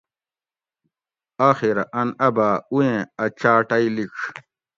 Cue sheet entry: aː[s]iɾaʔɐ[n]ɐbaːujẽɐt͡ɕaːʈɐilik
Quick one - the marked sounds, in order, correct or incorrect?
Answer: incorrect: x, correct

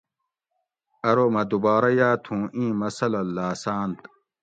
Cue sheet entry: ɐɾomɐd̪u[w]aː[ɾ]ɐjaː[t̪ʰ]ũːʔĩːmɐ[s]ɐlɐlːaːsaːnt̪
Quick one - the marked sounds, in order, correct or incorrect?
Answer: incorrect: b, correct, correct, correct

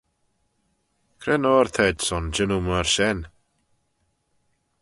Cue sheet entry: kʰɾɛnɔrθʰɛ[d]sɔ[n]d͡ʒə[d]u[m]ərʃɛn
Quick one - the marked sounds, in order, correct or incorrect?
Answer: correct, correct, incorrect: n, correct

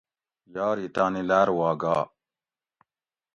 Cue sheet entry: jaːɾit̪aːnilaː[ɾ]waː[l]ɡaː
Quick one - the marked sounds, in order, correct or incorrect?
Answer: correct, incorrect: none

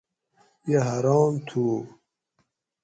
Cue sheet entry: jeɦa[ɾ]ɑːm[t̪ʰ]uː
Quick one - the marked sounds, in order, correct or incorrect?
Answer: correct, correct

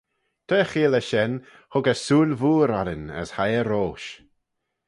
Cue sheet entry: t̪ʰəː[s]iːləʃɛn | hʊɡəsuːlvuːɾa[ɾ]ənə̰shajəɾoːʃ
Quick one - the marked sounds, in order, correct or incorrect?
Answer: incorrect: x, correct

